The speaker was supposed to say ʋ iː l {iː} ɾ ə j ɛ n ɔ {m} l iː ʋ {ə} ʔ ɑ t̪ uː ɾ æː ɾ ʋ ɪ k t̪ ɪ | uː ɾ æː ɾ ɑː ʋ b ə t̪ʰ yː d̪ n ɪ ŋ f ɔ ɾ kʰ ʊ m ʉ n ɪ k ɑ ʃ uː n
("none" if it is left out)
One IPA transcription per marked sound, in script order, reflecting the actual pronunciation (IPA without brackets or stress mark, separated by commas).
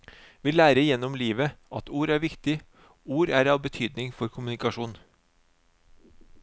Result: æː, m, ə